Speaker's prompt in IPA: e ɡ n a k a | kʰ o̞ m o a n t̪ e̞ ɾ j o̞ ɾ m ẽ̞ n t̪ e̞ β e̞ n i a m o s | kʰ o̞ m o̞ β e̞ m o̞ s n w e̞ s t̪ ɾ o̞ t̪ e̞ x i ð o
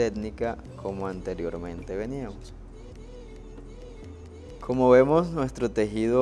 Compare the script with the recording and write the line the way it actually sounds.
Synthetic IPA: e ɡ n i k a | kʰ o̞ m o a n t̪ e̞ ɾ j o̞ ɾ m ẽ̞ n t̪ e̞ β e̞ n i a m o s | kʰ o̞ m o̞ β e̞ m o̞ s n w e̞ s t̪ ɾ o̞ t̪ e̞ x i ð o

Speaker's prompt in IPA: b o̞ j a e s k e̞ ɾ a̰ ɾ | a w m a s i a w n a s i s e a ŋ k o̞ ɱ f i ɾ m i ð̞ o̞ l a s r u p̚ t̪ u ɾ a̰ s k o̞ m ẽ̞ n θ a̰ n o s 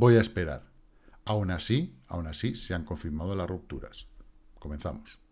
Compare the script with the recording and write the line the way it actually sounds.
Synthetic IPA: b o̞ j a e s p e̞ ɾ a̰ ɾ | a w n a s i a w n a s i s e a ŋ k o̞ ɱ f i ɾ m a ð̞ o̞ l a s r u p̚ t̪ u ɾ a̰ s k o̞ m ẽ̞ n θ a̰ m o s

